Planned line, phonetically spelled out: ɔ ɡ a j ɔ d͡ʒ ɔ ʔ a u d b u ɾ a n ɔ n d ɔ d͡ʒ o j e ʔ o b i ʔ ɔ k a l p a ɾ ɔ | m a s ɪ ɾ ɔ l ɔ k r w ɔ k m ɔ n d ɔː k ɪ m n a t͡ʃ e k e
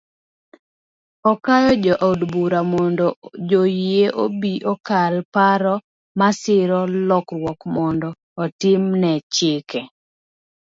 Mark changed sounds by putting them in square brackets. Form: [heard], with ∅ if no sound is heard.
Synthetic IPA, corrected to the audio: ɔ [k] a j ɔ d͡ʒ ɔ ʔ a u d b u ɾ a [m] ɔ n d ɔ d͡ʒ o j e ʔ o b i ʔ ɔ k a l p a ɾ ɔ | m a s ɪ ɾ ɔ l ɔ k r w ɔ k m ɔ n d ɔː [t] ɪ m n [ɛ] t͡ʃ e k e